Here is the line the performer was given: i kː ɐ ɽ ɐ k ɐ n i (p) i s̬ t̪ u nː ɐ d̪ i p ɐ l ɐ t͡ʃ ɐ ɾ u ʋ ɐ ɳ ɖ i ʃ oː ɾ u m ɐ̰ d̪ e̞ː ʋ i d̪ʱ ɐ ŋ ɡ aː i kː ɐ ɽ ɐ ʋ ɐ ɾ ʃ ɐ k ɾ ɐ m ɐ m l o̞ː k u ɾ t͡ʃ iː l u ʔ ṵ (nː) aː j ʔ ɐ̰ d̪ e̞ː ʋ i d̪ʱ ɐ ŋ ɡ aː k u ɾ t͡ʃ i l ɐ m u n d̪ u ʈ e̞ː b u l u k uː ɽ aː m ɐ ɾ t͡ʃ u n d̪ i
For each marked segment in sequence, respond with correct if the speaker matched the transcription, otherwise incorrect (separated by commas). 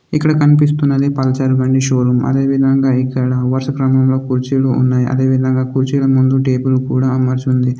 correct, correct